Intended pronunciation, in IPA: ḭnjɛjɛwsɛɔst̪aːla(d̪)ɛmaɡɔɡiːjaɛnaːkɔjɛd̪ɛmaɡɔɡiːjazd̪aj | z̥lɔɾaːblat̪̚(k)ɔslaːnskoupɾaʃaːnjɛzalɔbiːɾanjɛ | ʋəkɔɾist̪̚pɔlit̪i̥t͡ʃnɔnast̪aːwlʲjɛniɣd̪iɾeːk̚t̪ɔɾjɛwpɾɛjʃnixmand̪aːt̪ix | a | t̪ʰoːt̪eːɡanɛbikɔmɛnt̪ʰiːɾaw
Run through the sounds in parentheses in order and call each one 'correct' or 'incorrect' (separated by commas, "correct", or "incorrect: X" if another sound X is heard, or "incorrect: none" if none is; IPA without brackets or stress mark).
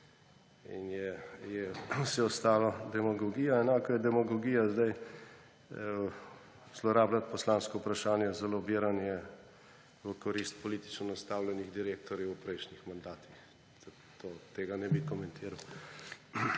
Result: correct, incorrect: p